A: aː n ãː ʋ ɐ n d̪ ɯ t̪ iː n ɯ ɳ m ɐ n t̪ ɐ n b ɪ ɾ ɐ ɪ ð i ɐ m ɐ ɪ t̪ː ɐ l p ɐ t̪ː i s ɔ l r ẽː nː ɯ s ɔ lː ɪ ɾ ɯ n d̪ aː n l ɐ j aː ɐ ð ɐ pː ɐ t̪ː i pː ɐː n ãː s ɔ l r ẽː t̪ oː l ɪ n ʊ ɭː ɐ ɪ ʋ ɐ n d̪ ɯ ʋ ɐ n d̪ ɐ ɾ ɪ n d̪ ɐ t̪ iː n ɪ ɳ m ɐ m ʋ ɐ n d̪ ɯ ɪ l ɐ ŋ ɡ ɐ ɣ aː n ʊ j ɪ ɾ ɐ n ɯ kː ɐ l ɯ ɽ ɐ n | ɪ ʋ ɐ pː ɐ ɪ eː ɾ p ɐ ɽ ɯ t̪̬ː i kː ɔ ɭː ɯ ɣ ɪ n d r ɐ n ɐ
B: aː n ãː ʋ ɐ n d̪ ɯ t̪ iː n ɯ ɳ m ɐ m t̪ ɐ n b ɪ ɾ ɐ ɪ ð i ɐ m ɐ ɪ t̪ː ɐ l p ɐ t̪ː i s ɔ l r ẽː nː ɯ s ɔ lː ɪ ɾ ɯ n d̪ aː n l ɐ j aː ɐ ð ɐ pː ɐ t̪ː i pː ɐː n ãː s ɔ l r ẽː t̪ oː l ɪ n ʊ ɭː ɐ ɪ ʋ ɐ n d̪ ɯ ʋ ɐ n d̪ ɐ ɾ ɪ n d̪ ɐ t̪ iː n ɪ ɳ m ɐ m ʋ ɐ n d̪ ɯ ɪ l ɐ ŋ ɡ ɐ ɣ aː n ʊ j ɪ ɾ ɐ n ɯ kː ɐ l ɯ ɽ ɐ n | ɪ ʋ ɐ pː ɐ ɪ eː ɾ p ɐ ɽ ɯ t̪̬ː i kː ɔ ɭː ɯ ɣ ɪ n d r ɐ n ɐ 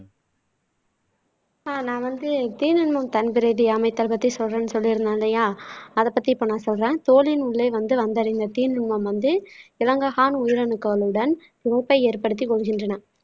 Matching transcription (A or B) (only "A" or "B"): B